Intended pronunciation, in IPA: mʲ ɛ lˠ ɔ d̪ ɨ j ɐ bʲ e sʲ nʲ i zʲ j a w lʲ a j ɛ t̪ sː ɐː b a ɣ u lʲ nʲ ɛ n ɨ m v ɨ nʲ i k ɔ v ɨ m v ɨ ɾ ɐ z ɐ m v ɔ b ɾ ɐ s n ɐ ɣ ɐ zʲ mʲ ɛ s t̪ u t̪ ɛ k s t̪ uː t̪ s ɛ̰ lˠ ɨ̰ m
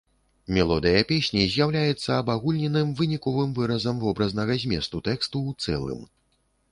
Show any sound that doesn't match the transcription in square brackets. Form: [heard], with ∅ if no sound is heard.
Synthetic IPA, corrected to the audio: mʲ ɛ lˠ ɔ d̪ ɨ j ɐ [pʲ] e sʲ nʲ i zʲ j a w lʲ a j ɛ t̪ sː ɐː b a ɣ u lʲ nʲ ɛ n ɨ m v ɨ nʲ i k ɔ v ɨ m v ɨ ɾ ɐ z ɐ m v ɔ b ɾ ɐ [z] n ɐ ɣ ɐ zʲ mʲ ɛ s t̪ u t̪ ɛ k s t̪ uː t̪ s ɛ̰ lˠ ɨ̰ m